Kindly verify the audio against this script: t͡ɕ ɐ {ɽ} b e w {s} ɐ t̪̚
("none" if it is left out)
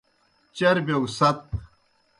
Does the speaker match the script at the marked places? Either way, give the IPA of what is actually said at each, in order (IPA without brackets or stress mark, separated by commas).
ɾ, s